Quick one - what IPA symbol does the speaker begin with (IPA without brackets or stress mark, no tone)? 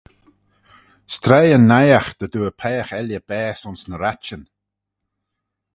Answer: s